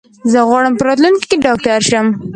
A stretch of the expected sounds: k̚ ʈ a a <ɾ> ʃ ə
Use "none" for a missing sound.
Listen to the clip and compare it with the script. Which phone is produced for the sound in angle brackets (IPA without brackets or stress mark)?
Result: ɾ